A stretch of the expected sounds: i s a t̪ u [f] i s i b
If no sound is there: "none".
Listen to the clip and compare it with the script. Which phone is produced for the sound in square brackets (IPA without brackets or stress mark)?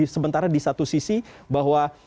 s